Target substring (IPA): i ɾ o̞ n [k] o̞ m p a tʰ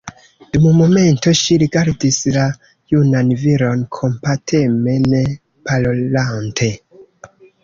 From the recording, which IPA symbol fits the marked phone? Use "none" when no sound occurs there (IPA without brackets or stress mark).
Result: kʰ